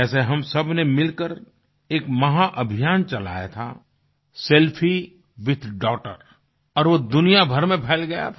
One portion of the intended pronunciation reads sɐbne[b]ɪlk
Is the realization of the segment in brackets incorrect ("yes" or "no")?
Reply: yes